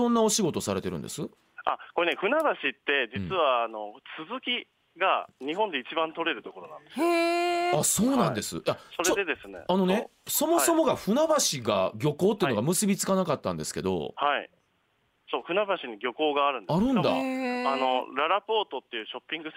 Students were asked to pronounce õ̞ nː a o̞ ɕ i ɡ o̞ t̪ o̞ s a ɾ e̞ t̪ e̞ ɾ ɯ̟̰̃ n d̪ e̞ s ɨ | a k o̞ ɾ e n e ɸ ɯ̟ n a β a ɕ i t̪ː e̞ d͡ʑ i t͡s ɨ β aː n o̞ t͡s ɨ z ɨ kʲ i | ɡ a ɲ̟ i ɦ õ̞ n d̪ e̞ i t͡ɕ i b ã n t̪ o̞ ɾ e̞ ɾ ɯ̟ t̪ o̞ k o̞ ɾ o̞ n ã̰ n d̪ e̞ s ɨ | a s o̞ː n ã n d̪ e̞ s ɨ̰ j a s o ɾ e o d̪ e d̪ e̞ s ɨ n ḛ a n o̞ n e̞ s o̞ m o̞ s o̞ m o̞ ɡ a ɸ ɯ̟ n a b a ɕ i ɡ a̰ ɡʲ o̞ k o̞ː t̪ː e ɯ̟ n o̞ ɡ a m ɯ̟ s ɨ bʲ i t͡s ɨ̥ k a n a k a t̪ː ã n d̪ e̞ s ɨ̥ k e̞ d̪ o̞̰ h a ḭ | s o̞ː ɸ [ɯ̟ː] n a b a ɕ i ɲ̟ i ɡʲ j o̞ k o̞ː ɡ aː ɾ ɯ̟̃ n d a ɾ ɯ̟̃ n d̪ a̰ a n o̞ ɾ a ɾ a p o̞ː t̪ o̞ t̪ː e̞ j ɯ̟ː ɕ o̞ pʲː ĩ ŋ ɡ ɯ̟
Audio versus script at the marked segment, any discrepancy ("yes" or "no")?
yes